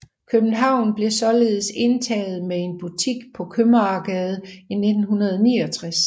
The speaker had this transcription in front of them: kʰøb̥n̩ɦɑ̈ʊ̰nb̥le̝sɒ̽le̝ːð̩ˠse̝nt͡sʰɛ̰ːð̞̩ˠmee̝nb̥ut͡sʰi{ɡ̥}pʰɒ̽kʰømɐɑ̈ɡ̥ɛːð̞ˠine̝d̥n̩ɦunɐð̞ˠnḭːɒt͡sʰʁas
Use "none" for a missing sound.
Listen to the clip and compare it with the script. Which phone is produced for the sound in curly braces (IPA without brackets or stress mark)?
ɡ̥